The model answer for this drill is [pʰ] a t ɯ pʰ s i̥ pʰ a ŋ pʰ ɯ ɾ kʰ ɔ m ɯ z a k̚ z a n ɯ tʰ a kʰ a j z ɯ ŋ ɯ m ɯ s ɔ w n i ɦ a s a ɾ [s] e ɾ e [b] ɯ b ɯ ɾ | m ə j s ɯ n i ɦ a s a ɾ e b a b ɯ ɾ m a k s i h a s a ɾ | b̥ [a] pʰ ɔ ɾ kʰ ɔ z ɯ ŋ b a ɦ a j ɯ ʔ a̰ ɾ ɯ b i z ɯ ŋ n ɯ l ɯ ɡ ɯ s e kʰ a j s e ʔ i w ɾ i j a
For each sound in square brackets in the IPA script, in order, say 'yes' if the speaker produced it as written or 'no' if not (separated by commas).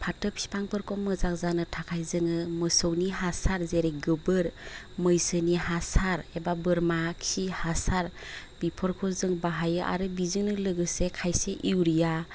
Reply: yes, no, no, no